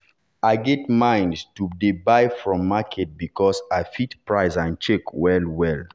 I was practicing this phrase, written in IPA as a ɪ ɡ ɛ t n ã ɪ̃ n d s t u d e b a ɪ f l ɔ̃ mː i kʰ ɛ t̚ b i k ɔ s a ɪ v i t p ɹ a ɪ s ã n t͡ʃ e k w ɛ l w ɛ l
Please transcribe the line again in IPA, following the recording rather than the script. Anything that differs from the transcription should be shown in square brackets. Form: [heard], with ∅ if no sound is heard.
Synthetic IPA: a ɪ ɡ ɛ t [m] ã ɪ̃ n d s t u d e b a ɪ f [ɹ] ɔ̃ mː [a] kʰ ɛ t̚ b i k ɔ s a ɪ [f] i t p ɹ a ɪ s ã n t͡ʃ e k w ɛ l w ɛ l